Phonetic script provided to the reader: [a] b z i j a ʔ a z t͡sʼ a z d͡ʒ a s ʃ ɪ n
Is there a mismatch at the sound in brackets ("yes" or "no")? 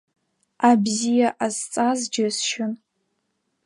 no